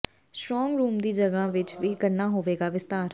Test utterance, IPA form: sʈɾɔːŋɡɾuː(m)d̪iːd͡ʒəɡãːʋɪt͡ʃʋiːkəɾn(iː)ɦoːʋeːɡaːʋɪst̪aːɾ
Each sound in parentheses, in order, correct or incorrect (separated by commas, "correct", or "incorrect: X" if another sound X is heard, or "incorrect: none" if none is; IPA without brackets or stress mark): correct, incorrect: aː